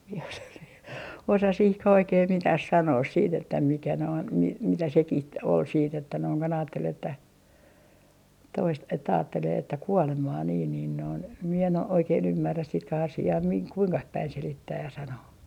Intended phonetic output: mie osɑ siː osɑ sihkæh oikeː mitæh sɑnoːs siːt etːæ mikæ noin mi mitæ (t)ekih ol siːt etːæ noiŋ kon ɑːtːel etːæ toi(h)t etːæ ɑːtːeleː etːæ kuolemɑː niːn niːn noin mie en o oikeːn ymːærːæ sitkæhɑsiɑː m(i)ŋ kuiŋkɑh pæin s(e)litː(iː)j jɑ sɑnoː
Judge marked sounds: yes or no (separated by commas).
no, no, yes, yes, no